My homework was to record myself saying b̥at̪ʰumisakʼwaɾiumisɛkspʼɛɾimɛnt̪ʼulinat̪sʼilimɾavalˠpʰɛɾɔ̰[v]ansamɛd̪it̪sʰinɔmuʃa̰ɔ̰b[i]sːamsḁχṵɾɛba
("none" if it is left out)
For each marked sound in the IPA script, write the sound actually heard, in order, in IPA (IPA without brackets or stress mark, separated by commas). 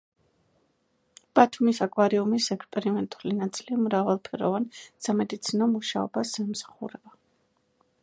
v, a